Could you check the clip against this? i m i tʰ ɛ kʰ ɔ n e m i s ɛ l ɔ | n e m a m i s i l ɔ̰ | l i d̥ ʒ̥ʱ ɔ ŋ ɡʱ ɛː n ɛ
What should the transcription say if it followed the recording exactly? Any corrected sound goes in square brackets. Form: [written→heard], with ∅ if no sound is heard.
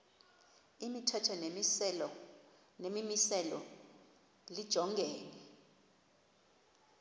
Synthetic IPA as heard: i m i tʰ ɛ [kʰ→tʰ] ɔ n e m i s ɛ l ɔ | n e m [a→i] m i s [i→ɛ] l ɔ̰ | l i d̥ ʒ̥ʱ ɔ ŋ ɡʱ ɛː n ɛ